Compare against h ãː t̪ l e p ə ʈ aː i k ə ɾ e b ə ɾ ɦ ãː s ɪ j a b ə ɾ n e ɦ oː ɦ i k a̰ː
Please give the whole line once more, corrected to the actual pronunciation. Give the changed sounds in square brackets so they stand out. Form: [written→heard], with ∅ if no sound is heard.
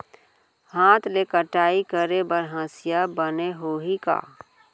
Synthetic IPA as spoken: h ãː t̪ l e [p→k] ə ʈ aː i k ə ɾ e b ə ɾ ɦ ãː s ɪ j a b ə [ɾ→∅] n e ɦ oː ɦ i k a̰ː